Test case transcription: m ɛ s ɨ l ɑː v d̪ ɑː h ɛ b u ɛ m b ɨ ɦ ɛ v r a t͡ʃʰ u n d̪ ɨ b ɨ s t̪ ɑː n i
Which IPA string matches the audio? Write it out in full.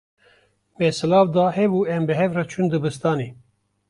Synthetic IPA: m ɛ s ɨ l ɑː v d̪ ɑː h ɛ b u ɛ m b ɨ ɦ ɛ v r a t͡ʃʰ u n d̪ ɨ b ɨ s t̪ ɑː n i